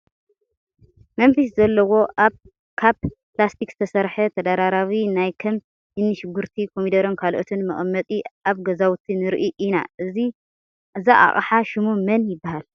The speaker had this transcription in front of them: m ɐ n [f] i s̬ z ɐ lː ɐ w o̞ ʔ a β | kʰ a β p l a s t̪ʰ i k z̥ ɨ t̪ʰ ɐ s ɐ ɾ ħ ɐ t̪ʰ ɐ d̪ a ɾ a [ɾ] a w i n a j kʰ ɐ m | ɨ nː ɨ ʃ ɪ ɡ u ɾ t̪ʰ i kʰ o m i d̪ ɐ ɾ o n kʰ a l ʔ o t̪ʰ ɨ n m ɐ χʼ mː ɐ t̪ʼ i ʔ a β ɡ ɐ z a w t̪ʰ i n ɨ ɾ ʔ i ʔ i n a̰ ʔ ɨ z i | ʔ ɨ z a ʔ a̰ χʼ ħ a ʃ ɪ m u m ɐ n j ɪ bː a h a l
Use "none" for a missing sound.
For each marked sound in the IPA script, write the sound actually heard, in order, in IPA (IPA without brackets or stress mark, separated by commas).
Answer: f, ɾ